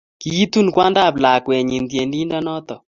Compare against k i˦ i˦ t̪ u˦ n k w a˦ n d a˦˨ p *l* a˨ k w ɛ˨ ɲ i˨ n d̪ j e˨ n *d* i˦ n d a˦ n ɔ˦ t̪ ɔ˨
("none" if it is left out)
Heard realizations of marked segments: l, d

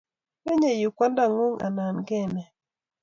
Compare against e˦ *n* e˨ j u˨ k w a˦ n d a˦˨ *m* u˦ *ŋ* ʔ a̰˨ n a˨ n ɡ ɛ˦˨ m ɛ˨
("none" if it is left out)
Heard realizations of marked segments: ɲ, ŋ, ŋ

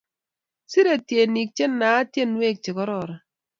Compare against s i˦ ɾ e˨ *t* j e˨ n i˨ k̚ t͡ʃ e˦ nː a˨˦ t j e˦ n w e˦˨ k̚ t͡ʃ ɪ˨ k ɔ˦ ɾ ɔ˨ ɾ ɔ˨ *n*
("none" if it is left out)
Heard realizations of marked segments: t, none

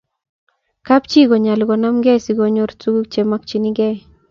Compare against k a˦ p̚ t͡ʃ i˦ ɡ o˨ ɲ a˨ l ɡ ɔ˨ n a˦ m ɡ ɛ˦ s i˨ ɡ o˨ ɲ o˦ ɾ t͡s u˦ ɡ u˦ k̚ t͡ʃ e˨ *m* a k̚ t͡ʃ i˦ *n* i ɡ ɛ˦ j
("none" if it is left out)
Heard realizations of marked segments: m, n

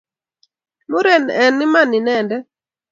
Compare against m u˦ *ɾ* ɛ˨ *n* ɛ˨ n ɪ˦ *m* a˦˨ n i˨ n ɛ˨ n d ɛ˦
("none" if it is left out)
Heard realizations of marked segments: ɾ, n, m

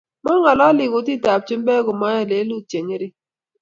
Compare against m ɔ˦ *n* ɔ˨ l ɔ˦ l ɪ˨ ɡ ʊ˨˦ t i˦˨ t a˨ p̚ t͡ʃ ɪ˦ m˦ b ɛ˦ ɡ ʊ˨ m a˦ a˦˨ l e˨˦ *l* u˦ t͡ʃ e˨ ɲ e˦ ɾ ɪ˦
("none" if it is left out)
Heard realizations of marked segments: ŋ, l

